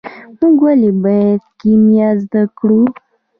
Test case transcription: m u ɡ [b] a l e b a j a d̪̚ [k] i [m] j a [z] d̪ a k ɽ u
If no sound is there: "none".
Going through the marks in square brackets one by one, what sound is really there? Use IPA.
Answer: w, k, m, z

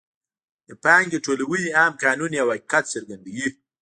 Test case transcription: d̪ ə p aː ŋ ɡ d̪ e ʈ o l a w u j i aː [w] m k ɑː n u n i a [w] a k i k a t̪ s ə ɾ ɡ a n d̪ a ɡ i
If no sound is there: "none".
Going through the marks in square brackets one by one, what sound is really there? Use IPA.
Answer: none, w

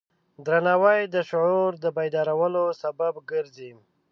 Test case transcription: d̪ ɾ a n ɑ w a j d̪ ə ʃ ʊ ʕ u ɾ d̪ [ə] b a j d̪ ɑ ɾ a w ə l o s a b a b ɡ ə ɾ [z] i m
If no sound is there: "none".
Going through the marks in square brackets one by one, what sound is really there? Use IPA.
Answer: ə, z

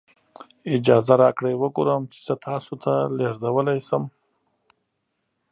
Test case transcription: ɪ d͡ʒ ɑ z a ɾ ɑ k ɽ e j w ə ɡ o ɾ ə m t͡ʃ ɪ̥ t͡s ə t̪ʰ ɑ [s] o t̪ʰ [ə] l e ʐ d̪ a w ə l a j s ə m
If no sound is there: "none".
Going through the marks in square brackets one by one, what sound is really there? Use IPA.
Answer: s, a

